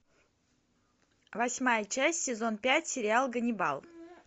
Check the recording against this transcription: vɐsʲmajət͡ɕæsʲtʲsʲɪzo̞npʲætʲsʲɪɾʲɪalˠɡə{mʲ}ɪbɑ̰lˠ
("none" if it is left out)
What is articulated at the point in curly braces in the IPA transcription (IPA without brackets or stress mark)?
nʲ